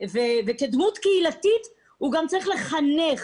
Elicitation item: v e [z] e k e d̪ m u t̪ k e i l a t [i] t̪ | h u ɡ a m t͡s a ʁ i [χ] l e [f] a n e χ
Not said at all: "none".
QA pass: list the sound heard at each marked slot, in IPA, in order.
v, i, χ, χ

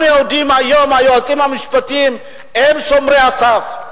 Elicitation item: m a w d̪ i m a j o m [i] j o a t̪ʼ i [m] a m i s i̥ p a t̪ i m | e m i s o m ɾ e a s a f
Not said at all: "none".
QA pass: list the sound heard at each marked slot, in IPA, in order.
a, m

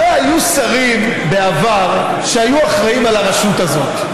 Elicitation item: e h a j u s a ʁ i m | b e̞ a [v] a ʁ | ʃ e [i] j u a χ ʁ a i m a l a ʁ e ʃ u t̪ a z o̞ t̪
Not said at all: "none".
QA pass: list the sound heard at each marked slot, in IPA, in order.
v, a

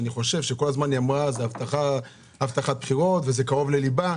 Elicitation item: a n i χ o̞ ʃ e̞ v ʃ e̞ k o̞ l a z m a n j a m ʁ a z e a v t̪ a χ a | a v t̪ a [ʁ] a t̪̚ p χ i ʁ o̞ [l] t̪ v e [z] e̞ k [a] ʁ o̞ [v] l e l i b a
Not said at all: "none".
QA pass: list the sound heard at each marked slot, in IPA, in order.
χ, none, z, a, v

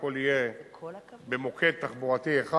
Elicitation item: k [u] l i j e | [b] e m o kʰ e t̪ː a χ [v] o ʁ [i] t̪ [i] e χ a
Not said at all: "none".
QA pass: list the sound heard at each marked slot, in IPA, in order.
o, b, b, a, i

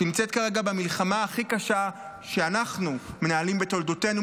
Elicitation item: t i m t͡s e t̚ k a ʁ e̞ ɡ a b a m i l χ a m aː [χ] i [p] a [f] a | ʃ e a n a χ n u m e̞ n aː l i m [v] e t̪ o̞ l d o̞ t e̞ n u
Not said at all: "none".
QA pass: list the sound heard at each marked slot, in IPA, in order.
χ, k, ʃ, b

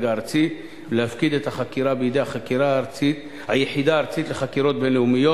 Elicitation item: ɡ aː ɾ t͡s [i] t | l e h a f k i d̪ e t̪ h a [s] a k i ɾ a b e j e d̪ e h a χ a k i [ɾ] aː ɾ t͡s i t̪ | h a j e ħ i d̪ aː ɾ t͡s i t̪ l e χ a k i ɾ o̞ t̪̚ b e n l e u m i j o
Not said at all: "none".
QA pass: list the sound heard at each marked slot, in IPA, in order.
i, χ, ɾ

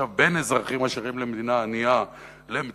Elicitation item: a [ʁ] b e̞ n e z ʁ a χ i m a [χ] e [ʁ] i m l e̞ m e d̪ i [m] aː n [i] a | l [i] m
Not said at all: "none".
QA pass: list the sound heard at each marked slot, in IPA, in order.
v, ʃ, ʁ, n, i, e

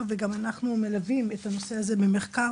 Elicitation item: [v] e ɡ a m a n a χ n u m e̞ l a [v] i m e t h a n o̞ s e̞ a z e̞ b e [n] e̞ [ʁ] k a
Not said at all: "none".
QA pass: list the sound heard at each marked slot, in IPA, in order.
v, v, m, χ

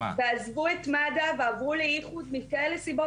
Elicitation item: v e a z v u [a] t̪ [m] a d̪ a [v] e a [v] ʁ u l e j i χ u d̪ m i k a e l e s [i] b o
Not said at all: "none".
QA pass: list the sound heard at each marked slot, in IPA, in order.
e, m, v, v, i

